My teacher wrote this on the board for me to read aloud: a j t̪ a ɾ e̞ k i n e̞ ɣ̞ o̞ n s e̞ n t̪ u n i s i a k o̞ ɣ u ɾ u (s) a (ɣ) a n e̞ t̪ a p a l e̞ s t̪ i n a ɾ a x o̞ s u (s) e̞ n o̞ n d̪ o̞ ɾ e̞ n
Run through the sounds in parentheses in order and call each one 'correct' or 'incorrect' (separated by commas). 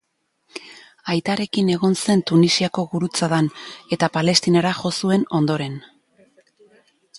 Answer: incorrect, incorrect, incorrect